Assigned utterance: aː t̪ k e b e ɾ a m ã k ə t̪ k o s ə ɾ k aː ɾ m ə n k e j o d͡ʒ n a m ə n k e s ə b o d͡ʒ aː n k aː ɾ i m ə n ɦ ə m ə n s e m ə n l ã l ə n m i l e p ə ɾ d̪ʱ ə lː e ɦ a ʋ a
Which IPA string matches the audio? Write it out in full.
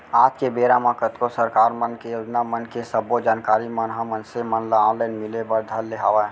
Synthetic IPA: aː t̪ k e b e ɾ a m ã k ə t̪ k o s ə ɾ k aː ɾ m ə n k e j o d͡ʒ n a m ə n k e s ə b o d͡ʒ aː n k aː ɾ i m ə n ɦ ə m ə n s e m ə n l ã l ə n m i l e b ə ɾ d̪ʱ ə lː e ɦ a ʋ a